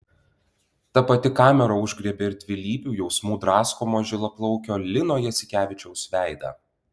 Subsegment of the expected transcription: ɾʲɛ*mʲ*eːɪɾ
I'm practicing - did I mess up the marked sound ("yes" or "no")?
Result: yes